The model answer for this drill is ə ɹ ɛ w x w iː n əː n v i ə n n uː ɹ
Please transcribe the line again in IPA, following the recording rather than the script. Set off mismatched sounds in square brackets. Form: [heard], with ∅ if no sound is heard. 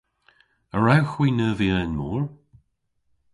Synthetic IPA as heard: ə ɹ [a] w x w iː n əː [∅] v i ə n [m] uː ɹ